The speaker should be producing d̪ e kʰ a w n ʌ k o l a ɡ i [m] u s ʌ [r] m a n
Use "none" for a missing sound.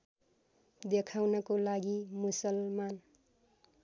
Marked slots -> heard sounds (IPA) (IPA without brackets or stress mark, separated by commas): m, l